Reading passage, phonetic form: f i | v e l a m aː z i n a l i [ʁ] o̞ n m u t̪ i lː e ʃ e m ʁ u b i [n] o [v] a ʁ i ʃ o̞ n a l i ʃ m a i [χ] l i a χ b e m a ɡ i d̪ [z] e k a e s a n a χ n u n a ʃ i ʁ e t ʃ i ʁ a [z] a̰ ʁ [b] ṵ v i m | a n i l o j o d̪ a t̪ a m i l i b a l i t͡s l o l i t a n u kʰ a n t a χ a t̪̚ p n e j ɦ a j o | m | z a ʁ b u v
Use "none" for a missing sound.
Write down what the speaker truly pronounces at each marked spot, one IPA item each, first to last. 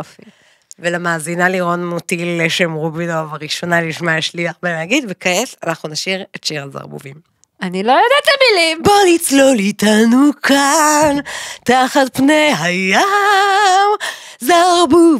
ʁ, n, v, ʃ, v, z, b

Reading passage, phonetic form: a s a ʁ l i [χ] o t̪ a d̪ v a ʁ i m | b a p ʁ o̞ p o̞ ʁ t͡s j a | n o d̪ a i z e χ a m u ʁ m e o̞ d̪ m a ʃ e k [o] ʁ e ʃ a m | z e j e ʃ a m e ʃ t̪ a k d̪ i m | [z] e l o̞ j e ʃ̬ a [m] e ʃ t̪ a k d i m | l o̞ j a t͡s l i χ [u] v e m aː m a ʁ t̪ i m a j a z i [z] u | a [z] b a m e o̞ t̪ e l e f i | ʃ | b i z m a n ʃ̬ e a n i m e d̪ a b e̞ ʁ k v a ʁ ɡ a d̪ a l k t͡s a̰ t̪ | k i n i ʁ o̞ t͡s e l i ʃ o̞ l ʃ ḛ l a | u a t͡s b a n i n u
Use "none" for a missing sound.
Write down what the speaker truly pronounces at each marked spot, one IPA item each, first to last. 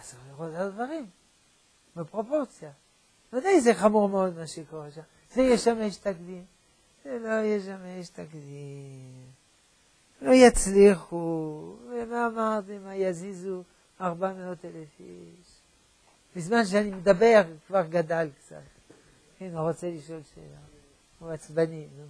ʁ, o, z, m, u, z, ʁ

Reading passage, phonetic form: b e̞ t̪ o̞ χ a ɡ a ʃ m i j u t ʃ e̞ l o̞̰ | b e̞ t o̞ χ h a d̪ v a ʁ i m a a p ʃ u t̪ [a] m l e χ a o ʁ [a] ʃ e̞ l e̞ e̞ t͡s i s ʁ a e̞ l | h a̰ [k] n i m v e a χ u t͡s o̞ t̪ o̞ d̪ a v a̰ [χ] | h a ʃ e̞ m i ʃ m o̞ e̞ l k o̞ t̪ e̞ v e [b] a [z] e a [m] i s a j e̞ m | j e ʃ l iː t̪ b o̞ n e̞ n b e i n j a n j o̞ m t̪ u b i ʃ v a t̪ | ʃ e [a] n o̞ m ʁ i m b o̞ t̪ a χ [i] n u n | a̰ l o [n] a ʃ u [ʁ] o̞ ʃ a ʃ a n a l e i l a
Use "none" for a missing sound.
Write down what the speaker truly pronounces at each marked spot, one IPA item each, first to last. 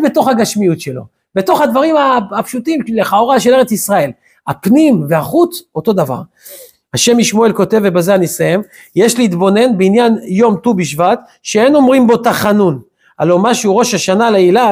i, a, p, ʁ, b, z, n, e, a, m, ʁ

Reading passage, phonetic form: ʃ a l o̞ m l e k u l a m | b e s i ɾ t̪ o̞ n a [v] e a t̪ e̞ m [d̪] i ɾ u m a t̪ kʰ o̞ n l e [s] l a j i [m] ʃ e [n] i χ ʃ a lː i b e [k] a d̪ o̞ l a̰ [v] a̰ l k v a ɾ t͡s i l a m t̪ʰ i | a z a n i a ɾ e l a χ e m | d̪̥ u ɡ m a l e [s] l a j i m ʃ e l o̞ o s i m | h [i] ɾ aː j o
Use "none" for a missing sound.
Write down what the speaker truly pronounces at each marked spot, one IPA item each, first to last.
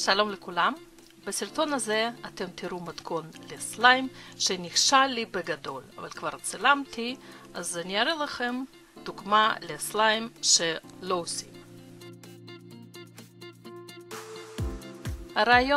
z, t̪, s, m, n, ɡ, v, s, a

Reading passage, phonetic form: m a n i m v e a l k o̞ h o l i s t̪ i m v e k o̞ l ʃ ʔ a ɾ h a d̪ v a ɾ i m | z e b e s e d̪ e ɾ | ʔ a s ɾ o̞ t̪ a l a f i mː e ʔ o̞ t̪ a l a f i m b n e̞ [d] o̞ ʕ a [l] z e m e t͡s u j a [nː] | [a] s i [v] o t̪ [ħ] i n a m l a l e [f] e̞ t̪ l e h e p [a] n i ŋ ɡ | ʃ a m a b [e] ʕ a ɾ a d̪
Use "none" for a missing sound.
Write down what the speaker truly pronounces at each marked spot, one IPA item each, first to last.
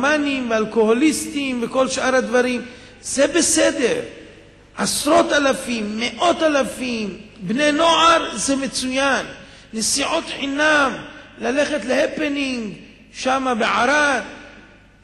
n, ɾ, nː, e, ʕ, ħ, χ, e, e

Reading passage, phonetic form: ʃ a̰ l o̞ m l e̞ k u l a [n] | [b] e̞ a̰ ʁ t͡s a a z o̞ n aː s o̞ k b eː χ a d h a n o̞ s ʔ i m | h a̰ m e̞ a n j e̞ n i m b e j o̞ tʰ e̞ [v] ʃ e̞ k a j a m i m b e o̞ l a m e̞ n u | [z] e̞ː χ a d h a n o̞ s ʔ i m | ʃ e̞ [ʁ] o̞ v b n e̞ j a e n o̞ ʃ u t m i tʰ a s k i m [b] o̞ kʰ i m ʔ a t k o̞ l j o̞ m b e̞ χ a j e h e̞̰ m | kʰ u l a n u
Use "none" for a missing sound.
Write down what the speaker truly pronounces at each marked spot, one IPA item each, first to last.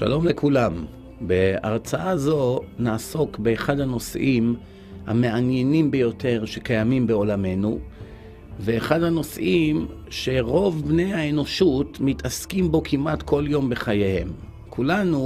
m, b, ʁ, v, ʁ, b

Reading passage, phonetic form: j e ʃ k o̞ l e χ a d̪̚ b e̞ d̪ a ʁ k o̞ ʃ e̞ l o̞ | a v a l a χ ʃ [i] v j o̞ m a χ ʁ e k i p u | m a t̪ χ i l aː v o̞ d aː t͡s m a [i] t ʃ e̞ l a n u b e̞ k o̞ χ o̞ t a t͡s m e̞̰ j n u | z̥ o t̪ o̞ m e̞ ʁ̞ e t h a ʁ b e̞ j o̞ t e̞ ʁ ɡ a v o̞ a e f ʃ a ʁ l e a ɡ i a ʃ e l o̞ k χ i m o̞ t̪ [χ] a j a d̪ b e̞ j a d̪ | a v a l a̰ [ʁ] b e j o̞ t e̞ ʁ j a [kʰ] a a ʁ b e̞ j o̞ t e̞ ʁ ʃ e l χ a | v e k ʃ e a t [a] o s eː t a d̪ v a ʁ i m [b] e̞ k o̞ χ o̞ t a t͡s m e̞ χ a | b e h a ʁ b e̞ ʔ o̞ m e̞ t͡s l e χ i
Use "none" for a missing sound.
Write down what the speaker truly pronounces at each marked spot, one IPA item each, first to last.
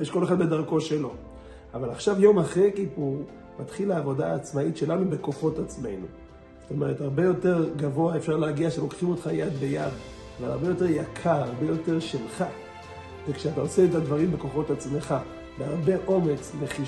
a, i, χ, ʁ, kʰ, a, b

